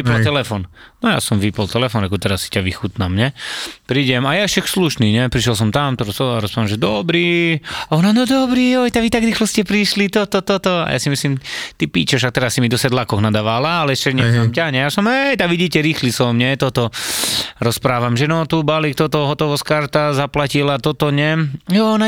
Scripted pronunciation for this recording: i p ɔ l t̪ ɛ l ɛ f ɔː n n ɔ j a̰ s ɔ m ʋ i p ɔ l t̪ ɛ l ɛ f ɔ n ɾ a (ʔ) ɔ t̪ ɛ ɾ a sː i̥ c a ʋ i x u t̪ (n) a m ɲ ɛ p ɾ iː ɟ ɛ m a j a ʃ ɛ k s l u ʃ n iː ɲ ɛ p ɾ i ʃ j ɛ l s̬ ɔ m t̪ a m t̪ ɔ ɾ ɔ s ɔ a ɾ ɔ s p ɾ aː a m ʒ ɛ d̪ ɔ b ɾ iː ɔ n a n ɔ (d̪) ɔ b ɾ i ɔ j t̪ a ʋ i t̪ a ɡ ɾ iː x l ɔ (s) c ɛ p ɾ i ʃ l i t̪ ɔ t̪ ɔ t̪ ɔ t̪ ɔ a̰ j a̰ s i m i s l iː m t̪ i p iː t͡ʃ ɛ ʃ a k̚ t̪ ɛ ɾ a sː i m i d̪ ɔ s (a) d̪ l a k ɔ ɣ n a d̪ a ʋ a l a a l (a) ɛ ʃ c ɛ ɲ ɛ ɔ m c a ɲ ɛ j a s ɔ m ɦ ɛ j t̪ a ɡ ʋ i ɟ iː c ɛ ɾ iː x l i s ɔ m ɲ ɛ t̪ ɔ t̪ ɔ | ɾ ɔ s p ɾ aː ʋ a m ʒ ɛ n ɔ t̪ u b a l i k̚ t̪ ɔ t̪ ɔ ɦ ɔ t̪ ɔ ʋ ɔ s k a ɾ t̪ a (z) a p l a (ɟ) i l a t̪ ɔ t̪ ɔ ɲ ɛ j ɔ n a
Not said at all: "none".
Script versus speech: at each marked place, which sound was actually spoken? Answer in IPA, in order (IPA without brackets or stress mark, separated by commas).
k, n, d̪, s, ɛ, ɛ, z, c